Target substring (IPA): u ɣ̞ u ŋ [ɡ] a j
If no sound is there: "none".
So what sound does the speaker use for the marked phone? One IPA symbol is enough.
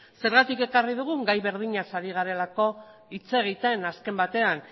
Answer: ɡ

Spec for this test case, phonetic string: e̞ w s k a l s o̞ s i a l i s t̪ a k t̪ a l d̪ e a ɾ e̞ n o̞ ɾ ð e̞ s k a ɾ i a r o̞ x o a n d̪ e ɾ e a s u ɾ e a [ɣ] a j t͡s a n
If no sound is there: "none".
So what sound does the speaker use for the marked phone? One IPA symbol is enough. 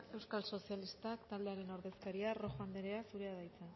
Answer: ð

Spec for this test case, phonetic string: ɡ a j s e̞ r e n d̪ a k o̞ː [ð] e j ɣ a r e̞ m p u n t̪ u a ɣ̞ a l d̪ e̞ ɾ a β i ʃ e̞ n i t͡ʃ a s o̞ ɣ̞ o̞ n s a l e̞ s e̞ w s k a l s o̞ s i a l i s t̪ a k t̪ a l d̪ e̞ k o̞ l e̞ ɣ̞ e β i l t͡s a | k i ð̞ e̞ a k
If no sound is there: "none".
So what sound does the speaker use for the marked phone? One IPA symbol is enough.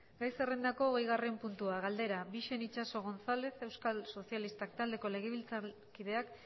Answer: ɣ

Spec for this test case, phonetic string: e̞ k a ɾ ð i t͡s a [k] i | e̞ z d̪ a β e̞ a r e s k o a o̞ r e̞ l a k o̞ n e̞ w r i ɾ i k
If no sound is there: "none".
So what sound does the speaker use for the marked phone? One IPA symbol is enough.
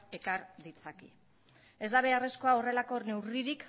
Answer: k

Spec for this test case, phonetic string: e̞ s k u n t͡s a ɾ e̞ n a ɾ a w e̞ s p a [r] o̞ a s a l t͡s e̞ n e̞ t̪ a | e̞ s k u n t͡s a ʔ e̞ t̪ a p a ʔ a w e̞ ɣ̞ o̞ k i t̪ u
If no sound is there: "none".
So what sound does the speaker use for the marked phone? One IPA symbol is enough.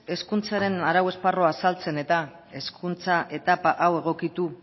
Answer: r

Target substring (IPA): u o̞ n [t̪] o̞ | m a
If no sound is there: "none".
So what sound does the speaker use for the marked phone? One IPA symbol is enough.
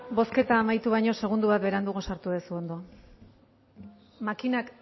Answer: d̪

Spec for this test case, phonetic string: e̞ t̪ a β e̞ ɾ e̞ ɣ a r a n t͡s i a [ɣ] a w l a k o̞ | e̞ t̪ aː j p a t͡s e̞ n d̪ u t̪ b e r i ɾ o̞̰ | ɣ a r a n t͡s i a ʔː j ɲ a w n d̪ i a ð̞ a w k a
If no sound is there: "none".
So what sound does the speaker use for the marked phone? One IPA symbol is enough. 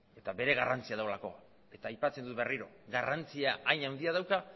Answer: ð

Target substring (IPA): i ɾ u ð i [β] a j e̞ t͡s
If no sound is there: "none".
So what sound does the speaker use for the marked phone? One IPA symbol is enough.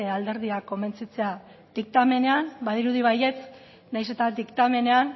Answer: β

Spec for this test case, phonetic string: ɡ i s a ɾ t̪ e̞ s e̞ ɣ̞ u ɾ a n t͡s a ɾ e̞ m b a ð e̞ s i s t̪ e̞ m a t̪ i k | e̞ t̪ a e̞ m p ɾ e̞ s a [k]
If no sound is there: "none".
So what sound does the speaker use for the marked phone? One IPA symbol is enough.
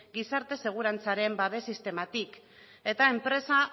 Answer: none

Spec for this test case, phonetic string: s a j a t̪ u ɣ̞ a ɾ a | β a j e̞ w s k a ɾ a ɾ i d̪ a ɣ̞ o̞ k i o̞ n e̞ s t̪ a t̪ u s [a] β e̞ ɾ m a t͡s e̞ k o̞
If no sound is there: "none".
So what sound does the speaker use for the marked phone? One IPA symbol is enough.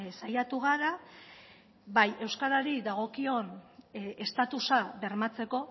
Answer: a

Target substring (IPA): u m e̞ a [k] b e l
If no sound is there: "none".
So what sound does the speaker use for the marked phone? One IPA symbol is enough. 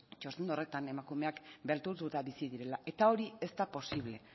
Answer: k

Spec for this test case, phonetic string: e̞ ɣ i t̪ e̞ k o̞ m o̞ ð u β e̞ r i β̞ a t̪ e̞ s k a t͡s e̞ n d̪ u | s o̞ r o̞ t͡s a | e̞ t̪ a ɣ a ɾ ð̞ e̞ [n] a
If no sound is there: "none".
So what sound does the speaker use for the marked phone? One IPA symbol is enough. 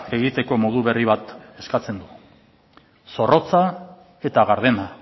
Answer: n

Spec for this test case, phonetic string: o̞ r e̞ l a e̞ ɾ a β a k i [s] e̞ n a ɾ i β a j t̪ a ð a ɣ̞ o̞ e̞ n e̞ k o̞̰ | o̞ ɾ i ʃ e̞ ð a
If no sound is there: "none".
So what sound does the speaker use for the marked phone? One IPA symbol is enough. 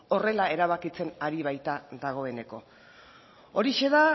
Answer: t͡s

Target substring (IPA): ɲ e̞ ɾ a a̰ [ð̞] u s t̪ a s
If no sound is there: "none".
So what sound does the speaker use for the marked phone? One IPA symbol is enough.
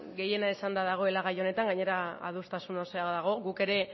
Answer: ð̞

